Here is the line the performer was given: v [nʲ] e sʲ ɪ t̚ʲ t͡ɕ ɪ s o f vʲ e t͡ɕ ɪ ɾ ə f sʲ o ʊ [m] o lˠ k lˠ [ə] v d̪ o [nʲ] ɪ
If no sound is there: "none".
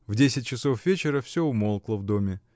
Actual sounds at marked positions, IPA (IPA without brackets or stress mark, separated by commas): dʲ, m, ə, mʲ